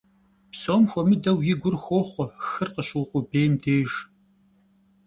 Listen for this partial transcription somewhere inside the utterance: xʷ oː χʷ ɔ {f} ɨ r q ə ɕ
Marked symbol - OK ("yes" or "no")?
no